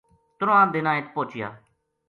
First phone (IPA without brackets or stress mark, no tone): t̪